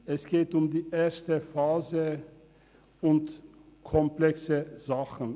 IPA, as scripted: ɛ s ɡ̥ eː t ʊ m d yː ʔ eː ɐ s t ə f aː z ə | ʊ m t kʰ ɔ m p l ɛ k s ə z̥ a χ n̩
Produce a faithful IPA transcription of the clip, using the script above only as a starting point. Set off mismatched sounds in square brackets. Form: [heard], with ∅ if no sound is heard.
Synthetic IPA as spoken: ɛ s ɡ̥ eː t ʊ m d [iː] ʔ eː ɐ s t ə f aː z ə | ʊ [n] t kʰ ɔ m p l ɛ k s ə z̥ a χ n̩